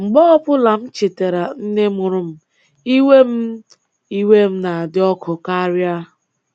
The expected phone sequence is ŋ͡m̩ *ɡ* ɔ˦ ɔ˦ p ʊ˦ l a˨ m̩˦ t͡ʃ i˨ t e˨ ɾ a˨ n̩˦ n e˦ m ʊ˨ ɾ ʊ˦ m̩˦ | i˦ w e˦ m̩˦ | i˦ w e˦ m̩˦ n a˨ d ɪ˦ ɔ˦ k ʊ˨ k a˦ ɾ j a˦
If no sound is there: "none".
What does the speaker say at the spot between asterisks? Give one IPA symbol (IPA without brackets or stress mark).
ɡ͡b